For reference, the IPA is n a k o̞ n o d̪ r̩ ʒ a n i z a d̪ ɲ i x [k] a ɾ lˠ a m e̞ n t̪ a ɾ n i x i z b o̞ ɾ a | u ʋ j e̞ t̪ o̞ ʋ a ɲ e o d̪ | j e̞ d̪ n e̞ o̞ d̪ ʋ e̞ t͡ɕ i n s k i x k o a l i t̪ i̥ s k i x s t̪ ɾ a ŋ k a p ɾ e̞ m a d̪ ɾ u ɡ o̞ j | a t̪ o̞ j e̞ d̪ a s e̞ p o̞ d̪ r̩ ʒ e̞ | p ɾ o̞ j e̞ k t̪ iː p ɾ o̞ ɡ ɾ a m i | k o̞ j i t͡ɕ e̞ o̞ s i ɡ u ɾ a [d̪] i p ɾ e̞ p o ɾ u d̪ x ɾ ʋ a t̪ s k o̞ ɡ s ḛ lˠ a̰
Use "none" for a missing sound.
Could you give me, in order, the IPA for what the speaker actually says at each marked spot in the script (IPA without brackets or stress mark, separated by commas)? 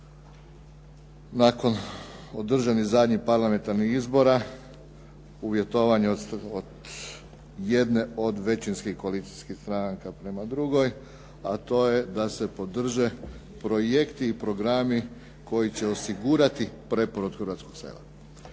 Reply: p, t̪